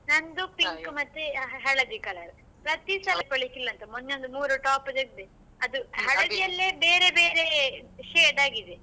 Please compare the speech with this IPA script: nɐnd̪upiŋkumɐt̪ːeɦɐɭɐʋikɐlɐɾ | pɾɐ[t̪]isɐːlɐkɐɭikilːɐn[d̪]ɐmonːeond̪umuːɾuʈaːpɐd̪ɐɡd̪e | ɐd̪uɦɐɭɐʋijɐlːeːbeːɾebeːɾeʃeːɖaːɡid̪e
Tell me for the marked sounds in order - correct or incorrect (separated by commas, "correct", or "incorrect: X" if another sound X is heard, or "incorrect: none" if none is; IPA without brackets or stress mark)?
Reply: correct, incorrect: t̪